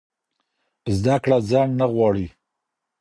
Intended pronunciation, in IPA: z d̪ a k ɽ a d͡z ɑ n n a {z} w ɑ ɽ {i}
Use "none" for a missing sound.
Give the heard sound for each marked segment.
ɣ, i

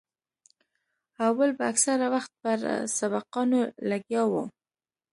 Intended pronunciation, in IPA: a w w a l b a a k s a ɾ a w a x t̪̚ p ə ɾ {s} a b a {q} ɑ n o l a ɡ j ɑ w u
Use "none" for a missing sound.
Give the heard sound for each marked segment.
s, q

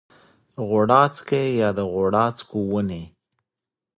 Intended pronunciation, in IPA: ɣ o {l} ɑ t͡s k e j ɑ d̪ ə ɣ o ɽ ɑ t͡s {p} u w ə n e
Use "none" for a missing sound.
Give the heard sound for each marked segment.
ɽ, k

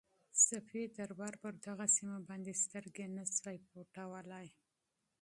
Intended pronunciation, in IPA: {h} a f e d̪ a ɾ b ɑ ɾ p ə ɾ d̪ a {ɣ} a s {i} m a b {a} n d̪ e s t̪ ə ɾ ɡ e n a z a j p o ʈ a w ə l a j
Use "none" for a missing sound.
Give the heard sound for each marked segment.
s, ɣ, i, ɑ

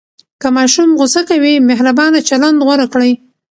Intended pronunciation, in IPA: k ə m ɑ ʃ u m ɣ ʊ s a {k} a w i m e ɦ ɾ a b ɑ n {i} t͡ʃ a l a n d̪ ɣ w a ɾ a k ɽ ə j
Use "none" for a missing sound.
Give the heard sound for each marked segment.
k, a

